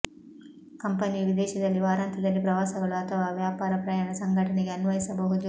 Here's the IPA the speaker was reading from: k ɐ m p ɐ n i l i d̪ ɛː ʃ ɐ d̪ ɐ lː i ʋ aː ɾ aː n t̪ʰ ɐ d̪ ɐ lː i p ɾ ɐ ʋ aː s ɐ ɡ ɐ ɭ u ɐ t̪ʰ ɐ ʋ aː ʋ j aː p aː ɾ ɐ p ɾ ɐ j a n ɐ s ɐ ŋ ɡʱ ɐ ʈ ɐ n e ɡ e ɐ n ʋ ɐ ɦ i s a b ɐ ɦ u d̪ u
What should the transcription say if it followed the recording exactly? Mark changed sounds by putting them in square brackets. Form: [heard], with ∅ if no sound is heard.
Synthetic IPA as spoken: k ɐ m p ɐ n i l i d̪ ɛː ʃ ɐ d̪ ɐ lː i ʋ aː ɾ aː n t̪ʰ ɐ d̪ ɐ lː i p ɾ ɐ ʋ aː s ɐ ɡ ɐ ɭ u ɐ t̪ʰ ɐ ʋ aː ʋ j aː p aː ɾ ɐ p ɾ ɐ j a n ɐ s ɐ ŋ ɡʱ ɐ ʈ ɐ n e ɡ e ɐ n ʋ ɐ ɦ i s [ɐ] b ɐ ɦ u d̪ u